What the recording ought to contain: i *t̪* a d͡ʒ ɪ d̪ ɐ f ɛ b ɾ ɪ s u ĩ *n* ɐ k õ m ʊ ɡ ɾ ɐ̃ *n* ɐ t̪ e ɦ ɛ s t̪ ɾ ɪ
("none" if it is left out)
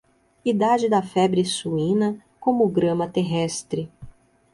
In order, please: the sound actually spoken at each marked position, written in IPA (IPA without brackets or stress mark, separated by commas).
d̪, n, m